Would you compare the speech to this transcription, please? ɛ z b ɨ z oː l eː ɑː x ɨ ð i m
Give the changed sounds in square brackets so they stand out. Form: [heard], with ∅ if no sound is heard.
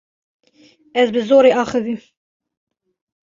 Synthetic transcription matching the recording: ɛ z b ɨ z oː [ɾ] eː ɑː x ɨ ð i m